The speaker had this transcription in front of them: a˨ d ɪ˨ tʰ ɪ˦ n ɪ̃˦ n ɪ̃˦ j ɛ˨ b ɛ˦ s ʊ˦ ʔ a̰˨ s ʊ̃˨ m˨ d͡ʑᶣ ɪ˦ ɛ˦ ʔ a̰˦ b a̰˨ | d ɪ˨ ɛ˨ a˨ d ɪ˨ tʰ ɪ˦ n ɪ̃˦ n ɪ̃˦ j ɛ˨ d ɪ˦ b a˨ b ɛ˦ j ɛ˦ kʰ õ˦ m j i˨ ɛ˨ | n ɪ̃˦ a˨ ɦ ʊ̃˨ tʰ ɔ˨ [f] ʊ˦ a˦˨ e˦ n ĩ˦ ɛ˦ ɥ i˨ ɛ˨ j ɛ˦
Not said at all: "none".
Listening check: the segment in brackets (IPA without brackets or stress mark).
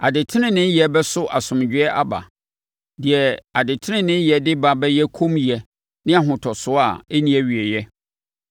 s